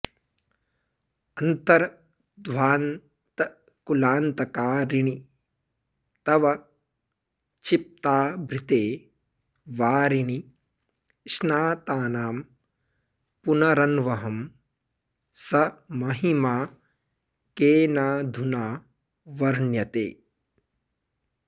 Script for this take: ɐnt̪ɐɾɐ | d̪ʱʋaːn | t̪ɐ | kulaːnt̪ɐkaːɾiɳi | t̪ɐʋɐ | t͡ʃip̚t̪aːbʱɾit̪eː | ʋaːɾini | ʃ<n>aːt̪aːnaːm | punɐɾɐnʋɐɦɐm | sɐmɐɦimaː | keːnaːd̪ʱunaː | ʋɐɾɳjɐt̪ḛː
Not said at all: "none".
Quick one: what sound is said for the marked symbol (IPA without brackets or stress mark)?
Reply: n